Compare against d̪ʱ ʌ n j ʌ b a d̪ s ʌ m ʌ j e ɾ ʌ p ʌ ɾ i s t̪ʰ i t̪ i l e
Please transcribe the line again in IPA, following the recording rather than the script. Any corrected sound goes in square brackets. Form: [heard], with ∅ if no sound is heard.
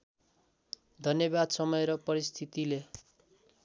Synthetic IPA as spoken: d̪ʱ ʌ n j ʌ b a d̪ s ʌ m ʌ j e ɾ ʌ p ʌ ɾ i s t̪ʰ i t̪ i l e